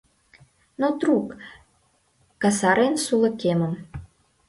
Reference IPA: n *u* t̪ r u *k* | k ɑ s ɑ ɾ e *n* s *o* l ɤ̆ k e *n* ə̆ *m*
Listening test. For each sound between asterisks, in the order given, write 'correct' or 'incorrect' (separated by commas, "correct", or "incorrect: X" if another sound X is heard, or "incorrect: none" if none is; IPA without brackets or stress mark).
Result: incorrect: o, correct, correct, incorrect: u, incorrect: m, correct